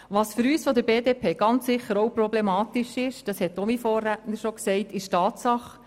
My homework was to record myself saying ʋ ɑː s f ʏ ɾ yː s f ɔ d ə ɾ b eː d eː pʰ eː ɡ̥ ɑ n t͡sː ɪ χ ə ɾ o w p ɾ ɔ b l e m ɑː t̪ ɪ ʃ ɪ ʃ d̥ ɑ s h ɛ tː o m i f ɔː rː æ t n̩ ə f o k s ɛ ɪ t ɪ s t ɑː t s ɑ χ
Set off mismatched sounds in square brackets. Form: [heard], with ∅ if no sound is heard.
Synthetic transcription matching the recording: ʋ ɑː s f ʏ ɾ yː s f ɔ d ə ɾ b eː d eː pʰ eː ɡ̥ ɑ n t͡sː ɪ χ ə ɾ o w p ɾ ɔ b l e m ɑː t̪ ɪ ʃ ɪ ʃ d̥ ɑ s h ɛ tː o m i f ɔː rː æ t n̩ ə [ʃ] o k s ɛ ɪ t ɪ [ʃ] t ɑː t s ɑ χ